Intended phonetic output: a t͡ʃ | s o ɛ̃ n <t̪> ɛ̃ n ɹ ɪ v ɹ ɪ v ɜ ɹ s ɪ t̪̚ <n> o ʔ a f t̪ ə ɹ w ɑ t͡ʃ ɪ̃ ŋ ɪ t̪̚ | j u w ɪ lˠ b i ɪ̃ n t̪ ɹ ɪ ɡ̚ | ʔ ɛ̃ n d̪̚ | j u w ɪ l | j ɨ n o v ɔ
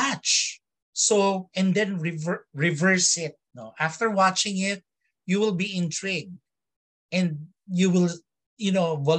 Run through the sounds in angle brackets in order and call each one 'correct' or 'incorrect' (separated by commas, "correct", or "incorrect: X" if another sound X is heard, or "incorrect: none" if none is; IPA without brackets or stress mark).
incorrect: d̪, correct